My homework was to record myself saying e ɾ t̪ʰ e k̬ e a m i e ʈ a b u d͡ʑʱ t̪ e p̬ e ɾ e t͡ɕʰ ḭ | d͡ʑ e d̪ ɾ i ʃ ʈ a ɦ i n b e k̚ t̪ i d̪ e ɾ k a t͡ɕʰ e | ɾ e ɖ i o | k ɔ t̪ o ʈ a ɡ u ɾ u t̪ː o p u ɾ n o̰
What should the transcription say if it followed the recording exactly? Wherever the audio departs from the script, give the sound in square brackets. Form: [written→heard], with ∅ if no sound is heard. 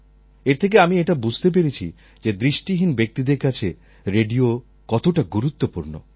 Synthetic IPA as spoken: e ɾ t̪ʰ e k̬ e a m i e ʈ a b u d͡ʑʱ t̪ e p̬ e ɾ e t͡ɕʰ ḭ | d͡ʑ e d̪ ɾ i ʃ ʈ [a→i] ɦ i n b e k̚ t̪ i d̪ e ɾ k a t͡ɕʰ e | ɾ e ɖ i o | k ɔ t̪ o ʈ a ɡ u ɾ u t̪ː o p u ɾ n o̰